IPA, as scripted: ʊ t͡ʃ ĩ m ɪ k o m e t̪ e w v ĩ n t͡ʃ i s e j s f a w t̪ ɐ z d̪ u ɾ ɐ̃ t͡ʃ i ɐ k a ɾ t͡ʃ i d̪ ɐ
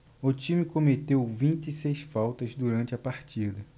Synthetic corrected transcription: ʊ t͡ʃ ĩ m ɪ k o m e t̪ e w v ĩ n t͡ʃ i s e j s f a w t̪ ɐ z d̪ u ɾ ɐ̃ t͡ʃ ɪ ɐ p a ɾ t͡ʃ i d̪ ɐ